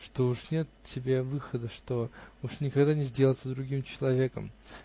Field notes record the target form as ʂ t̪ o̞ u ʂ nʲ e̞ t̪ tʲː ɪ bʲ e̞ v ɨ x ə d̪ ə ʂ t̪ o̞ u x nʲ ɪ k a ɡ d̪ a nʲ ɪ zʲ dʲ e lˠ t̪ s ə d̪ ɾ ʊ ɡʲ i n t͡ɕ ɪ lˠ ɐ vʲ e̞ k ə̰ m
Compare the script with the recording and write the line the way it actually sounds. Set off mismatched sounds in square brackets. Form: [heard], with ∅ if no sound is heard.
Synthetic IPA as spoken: ʂ t̪ o̞ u ʂ nʲ e̞ t̪ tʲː ɪ bʲ e̞ v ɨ x ə d̪ ə ʂ t̪ o̞ u [ʂ] nʲ ɪ k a ɡ d̪ a nʲ ɪ zʲ dʲ e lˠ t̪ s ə d̪ ɾ ʊ ɡʲ i [m] t͡ɕ ɪ lˠ ɐ vʲ e̞ k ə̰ m